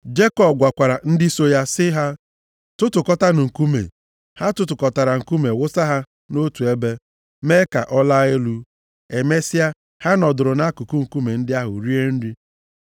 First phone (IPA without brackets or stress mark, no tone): d͡ʒ